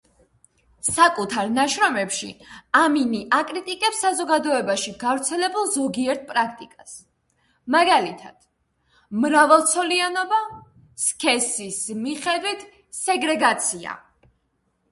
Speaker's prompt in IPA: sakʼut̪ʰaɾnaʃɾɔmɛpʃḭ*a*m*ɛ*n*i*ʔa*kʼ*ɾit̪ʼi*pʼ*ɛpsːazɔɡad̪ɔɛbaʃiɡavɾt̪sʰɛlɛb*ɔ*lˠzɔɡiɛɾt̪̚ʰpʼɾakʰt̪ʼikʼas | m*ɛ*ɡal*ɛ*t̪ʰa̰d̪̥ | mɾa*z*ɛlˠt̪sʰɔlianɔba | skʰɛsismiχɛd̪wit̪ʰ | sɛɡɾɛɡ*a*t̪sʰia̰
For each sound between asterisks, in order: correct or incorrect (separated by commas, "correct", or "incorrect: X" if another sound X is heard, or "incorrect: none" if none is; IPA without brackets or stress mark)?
correct, incorrect: i, correct, correct, incorrect: kʼ, incorrect: u, incorrect: a, incorrect: i, incorrect: v, correct